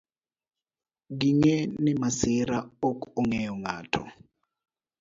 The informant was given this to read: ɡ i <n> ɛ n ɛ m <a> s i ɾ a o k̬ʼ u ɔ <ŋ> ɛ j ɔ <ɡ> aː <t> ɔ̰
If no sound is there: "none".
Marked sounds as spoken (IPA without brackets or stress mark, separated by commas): ŋ, a, ŋ, ŋ, tʰ